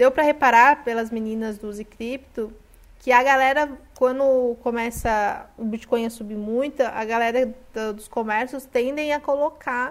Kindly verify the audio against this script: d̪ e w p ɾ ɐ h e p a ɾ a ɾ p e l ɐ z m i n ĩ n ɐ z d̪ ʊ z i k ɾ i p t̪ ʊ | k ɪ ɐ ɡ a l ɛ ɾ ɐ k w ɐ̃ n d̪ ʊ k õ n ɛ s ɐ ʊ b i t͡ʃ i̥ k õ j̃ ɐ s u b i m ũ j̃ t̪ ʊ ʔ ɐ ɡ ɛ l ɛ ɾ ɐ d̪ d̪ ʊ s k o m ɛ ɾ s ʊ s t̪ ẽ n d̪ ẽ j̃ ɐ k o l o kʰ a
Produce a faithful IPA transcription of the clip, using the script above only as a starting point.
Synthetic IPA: d̪ e w p ɾ ɐ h e p a ɾ a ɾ p e l ɐ z m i n ĩ n ɐ z d̪ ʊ z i k ɾ i p t̪ ʊ | k ɪ ɐ ɡ a l ɛ ɾ ɐ k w ɐ̃ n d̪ ʊ k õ m ɛ s ɐ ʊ b i t͡ʃ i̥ k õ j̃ ɐ s u b i m ũ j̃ t̪ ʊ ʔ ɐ ɡ a l ɛ ɾ ɐ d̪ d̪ ʊ s k o m ɛ ɾ s ʊ s t̪ ẽ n d̪ ẽ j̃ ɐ k o l o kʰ a